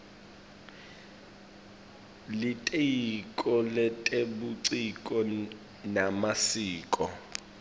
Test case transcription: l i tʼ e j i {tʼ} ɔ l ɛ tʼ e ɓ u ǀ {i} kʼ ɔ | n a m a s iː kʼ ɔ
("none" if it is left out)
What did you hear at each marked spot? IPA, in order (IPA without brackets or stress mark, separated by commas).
kʼ, i